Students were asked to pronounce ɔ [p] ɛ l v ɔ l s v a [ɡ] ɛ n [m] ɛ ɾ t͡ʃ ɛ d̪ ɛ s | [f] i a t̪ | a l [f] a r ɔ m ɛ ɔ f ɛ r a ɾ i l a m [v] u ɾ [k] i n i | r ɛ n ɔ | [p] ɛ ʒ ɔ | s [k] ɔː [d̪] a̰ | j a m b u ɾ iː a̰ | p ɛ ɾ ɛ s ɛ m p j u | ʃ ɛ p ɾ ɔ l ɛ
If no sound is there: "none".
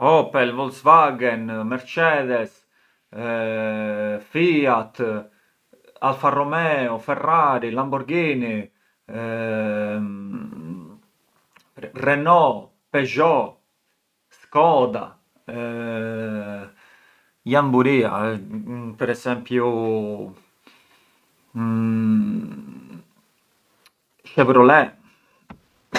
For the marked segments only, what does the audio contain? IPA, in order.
p, ɡ, m, f, f, b, ɡ, p, k, d̪

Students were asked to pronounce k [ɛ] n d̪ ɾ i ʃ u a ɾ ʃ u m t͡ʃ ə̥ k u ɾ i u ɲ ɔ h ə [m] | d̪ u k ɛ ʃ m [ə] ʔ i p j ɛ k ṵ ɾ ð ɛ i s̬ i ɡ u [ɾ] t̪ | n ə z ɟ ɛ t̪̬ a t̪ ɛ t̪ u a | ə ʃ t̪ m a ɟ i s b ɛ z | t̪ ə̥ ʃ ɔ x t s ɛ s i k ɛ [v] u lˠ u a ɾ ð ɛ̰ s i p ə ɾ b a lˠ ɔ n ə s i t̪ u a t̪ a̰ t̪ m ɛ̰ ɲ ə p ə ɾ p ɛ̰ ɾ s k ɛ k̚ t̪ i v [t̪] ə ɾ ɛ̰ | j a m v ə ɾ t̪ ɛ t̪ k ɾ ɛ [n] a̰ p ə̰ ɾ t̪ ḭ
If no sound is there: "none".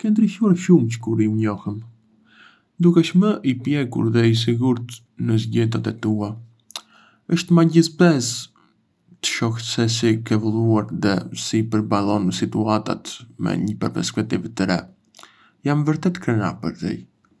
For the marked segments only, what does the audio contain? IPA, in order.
ɛ, m, ə, ɾ, v, t̪, n

